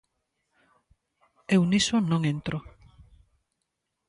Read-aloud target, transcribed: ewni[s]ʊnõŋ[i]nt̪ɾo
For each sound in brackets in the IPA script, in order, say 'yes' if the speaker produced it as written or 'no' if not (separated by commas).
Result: yes, no